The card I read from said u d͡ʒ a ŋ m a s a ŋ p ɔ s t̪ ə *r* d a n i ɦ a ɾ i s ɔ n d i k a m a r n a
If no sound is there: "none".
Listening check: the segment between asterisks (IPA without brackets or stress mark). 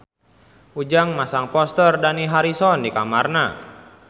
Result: r